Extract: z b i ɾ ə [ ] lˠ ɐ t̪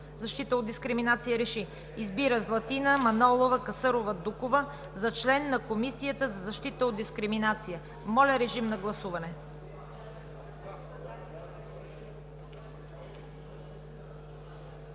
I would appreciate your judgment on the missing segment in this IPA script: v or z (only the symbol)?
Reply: z